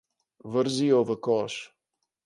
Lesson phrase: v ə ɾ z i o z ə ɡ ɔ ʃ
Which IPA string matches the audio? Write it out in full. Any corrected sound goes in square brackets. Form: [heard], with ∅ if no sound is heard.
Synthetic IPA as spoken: v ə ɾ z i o [v] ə [k] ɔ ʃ